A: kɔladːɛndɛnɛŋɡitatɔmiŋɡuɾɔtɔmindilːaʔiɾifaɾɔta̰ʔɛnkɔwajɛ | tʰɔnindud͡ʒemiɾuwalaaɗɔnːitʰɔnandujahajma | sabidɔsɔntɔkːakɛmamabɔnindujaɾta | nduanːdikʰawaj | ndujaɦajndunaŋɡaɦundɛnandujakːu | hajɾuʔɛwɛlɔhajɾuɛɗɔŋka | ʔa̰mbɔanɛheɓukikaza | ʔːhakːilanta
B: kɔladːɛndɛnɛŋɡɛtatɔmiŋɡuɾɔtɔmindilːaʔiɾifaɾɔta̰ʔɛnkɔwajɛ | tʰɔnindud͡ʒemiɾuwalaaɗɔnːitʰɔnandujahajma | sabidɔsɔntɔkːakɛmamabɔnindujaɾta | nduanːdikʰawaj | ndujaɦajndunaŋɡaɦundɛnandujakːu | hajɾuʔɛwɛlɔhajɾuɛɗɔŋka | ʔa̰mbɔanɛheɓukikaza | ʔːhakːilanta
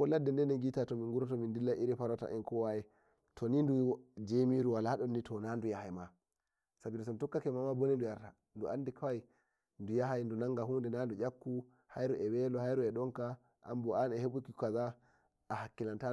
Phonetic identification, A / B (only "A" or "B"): A